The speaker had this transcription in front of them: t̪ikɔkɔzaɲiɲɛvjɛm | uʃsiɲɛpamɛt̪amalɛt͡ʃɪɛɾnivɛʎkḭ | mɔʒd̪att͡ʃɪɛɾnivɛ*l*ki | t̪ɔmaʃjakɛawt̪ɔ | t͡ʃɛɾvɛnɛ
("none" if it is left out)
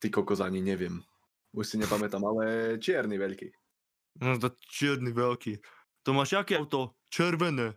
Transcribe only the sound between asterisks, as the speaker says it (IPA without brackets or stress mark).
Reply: l